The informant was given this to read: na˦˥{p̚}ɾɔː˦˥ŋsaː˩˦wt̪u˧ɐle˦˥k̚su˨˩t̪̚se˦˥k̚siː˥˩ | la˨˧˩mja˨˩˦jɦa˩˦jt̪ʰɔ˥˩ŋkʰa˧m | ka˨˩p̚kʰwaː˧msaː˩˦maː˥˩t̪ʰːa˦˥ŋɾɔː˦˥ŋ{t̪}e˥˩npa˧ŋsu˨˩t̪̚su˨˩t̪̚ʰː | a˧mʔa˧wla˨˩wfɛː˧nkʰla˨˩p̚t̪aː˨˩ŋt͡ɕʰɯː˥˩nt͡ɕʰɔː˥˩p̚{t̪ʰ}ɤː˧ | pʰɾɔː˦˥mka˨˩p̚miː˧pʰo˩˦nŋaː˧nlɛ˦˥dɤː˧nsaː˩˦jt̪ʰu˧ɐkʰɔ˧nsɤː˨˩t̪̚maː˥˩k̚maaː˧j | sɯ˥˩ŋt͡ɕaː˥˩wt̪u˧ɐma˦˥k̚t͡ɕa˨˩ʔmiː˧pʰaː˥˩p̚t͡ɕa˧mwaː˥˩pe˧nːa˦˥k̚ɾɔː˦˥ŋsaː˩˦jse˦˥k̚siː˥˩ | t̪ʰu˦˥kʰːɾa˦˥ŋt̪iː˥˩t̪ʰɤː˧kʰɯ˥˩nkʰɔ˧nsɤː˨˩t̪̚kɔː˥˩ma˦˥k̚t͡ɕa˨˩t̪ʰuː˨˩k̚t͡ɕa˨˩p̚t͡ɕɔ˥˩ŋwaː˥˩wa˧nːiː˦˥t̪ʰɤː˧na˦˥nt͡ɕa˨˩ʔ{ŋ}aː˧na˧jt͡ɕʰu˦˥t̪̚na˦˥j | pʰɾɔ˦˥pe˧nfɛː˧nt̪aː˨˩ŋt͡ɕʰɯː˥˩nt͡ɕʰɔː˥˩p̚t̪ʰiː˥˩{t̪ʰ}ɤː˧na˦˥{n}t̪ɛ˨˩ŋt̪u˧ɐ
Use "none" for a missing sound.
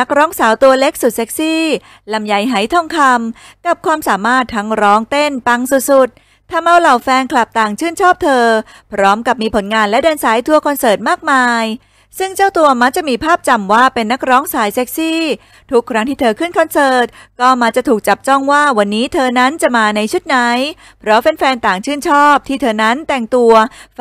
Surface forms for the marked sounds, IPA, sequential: k̚, t̪, t̪ʰ, m, t̪ʰ, n

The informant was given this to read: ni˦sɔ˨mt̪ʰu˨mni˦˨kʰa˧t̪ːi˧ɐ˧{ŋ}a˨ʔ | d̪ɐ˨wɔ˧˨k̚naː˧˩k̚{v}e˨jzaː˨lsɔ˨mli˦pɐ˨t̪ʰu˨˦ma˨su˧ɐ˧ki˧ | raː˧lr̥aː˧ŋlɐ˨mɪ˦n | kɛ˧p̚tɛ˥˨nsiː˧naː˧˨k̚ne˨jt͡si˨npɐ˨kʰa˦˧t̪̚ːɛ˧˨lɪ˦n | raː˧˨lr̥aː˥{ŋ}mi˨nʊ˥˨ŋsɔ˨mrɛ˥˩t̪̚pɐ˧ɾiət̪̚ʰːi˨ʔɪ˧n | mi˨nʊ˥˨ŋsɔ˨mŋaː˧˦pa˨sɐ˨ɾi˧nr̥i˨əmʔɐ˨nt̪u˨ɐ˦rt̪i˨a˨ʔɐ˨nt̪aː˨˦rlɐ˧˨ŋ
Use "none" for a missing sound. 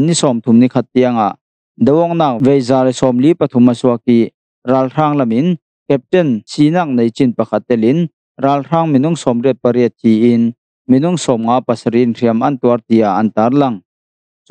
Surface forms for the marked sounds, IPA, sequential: ŋ, v, ŋ

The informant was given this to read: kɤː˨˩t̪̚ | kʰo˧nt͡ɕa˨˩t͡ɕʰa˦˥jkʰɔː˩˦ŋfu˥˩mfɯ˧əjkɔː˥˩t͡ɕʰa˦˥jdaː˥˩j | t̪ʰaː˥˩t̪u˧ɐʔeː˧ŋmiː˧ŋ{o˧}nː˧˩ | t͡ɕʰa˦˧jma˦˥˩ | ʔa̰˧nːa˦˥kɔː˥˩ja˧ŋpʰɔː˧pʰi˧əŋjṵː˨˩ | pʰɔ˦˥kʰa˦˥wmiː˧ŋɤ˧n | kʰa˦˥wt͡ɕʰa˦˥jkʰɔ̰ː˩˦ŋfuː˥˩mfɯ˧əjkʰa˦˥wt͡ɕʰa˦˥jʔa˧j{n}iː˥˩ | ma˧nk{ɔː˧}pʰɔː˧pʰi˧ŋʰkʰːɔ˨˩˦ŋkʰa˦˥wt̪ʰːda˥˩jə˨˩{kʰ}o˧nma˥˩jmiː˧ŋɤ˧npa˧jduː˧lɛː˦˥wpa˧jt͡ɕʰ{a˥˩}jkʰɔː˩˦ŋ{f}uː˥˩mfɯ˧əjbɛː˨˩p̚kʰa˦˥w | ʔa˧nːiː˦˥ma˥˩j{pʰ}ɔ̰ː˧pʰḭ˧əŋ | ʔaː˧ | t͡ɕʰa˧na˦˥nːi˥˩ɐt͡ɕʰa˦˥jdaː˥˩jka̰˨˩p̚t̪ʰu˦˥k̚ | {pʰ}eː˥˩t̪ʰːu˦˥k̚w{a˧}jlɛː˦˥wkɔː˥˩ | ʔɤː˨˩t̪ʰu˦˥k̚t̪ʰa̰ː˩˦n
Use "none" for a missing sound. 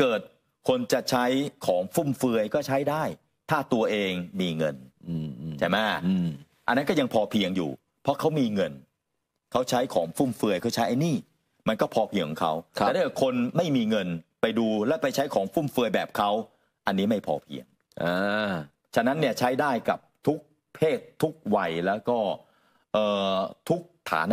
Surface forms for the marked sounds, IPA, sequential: ɤ˧, n, ɔː˥˩, kʰ, a˦˥, f, pʰ, pʰ, a˧

